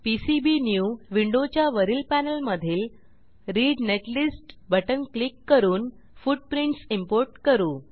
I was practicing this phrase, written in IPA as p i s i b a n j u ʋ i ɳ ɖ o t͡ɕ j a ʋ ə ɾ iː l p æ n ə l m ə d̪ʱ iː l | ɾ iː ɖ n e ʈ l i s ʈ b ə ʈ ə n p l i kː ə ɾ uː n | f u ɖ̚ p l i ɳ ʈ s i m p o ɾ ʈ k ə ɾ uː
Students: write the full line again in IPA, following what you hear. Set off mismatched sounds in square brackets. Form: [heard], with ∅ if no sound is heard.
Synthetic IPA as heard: p i s i b [i] n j u ʋ i ɳ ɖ o t͡ɕ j a ʋ ə ɾ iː l p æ n ə l m ə d̪ʱ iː l | ɾ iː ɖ n e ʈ l i s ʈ b ə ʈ ə n [k] l i kː ə ɾ uː n | f u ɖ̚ p [ɾ] i ɳ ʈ s i m p o ɾ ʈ k ə ɾ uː